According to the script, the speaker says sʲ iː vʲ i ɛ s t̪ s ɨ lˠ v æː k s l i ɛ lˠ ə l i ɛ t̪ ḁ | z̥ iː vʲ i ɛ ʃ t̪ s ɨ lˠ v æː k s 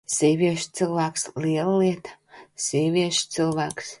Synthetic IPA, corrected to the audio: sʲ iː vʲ i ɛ ʃ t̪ s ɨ lˠ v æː k s l i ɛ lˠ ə l i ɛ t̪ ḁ | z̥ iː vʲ i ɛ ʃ t̪ s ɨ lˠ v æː k s